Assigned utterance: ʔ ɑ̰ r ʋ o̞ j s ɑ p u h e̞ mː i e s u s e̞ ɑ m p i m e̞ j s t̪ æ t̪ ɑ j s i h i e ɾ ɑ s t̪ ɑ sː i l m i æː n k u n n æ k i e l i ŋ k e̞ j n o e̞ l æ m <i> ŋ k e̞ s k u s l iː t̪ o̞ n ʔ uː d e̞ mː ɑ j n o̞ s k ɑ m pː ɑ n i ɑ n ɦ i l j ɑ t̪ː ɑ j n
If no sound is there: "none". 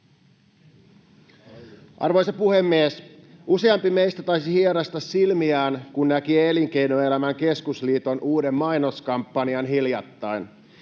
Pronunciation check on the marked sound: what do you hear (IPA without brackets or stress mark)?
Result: æ